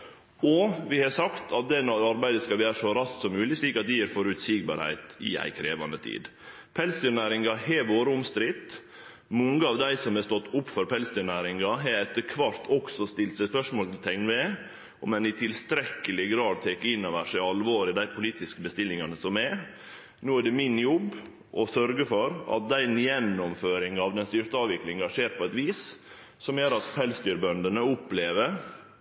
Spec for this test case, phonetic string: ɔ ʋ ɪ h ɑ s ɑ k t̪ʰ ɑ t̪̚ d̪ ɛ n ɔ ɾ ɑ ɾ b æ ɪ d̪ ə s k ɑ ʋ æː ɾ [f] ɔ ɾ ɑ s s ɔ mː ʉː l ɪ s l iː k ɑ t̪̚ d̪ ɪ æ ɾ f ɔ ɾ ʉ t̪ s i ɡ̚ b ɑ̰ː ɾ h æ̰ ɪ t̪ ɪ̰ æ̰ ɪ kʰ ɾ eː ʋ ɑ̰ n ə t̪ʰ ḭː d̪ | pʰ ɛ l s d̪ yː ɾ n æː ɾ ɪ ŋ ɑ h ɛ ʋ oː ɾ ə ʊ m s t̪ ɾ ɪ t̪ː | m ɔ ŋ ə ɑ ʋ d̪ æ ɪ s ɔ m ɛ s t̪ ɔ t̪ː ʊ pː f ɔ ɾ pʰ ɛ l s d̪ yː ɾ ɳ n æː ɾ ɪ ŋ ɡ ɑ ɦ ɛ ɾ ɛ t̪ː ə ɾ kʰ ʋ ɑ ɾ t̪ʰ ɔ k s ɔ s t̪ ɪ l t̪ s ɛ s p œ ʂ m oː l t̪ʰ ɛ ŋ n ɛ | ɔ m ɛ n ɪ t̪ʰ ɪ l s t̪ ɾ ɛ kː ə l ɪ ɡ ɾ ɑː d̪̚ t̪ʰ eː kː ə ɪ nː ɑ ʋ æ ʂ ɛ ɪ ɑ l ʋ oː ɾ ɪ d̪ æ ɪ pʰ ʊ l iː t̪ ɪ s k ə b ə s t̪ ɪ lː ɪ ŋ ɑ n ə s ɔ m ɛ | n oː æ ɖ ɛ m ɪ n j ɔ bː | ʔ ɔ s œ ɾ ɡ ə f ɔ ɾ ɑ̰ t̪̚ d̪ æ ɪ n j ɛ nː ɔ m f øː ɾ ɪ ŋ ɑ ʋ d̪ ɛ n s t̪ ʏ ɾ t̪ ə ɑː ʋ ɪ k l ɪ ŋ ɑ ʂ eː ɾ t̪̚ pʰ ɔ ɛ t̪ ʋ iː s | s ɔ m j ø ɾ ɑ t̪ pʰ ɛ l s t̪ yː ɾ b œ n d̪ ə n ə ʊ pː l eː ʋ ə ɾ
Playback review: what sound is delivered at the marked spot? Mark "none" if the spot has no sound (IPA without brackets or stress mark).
ʂ